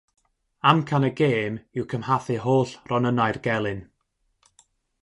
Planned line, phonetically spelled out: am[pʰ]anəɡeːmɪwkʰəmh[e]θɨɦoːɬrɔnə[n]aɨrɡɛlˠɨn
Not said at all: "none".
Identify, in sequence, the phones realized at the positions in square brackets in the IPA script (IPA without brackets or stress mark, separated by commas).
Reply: kʰ, a, n